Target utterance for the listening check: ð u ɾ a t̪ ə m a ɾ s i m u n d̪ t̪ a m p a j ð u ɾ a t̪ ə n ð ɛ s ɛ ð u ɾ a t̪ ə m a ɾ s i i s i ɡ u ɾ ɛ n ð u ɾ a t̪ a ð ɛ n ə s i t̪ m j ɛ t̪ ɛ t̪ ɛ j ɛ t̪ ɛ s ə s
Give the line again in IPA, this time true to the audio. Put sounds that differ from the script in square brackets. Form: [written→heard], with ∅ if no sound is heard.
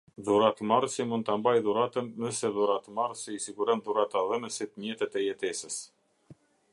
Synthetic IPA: ð u ɾ a t̪ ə m a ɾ s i m u n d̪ t̪ a m [p→b] a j ð u ɾ a t̪ ə n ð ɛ s ɛ ð u ɾ a t̪ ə m a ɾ s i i s i ɡ u ɾ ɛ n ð u ɾ a t̪ a ð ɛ n ə s i t̪ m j ɛ t̪ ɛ t̪ ɛ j ɛ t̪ ɛ s ə s

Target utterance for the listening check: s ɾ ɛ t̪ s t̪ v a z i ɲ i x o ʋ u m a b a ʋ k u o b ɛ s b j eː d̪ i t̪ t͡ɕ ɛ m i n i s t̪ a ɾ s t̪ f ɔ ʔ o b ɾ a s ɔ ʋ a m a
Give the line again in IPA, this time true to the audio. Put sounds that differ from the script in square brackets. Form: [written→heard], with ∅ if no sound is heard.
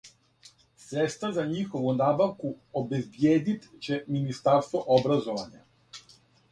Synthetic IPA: s ɾ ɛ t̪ s t̪ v a z [i→a] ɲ i x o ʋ u [m→n] a b a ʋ k u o b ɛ [s→z] b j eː d̪ i t̪ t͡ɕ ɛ m i n i s t̪ a ɾ s t̪ [f→v] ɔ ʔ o b ɾ a [s→z] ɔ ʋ a [m→ɲ] a

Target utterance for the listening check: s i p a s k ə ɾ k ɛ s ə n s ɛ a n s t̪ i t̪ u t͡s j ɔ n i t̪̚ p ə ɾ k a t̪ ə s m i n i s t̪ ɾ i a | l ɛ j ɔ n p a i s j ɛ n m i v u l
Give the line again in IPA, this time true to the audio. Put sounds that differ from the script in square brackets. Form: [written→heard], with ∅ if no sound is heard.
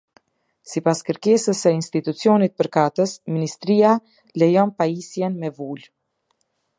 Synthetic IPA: s i p a s k ə ɾ k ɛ s ə [n→∅] s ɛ [a→i] n s t̪ i t̪ u t͡s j ɔ n i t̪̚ p ə ɾ k a t̪ ə s m i n i s t̪ ɾ i a | l ɛ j ɔ n p a i s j ɛ n m [i→ɛ] v u l

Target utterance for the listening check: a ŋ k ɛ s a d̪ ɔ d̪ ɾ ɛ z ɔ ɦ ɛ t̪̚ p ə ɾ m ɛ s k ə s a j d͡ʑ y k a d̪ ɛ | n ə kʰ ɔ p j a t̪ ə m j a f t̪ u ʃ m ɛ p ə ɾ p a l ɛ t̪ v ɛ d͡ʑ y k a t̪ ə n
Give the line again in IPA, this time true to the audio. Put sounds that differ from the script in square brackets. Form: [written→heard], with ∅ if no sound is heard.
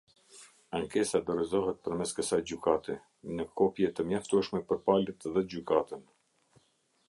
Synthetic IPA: a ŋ k ɛ s a d̪ ɔ [d̪→∅] ɾ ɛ z ɔ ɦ ɛ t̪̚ p ə ɾ m ɛ s k ə s a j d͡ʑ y k a [d̪→t̪] ɛ | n ə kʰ ɔ p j [a→ɛ] t̪ ə m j a f t̪ u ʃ m ɛ p ə ɾ p a l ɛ t̪ [v→ð] ɛ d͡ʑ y k a t̪ ə n

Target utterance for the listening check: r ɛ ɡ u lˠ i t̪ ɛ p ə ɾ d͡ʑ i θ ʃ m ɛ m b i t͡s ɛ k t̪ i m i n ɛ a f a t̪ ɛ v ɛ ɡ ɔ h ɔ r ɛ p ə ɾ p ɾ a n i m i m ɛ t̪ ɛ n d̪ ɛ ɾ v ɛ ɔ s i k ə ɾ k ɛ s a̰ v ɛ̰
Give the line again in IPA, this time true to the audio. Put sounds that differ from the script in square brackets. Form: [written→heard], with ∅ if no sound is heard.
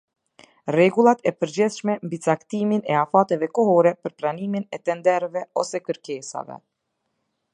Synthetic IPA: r ɛ ɡ u lˠ [i→a] t̪ ɛ p ə ɾ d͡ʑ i θ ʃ m ɛ m b i t͡s [ɛ→a] k t̪ i m i n ɛ a f a t̪ ɛ v ɛ [ɡ→k] ɔ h ɔ [r→ɾ] ɛ p ə ɾ p ɾ a n i m i [m→n] ɛ t̪ ɛ n d̪ ɛ ɾ v ɛ ɔ s [i→ɛ] k ə ɾ k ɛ s a̰ v ɛ̰

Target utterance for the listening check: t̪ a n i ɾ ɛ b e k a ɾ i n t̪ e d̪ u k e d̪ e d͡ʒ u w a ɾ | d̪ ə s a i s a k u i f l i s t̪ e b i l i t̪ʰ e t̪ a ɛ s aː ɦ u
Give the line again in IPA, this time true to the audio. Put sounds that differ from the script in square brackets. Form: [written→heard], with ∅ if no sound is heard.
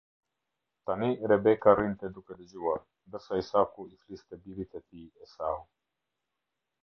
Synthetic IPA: t̪ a n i ɾ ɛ b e k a ɾ i n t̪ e d̪ u k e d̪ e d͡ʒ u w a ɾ | d̪ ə s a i s a k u i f l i s t̪ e b i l i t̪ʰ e t̪ [a→i] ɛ s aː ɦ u

